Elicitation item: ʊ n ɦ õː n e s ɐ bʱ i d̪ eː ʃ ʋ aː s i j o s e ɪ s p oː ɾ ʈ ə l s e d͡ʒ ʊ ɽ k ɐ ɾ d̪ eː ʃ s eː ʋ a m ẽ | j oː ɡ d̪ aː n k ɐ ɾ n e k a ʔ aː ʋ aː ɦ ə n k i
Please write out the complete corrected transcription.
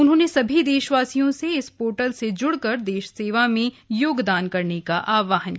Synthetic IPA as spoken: ʊ n ɦ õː n e s ɐ bʱ i d̪ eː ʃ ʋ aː s i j õ s e ɪ s p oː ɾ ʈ ə l s e d͡ʒ ʊ ɽ k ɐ ɾ d̪ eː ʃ s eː ʋ a m ẽ | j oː ɡ d̪ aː n k ɐ ɾ n e k a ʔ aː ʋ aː ɦ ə n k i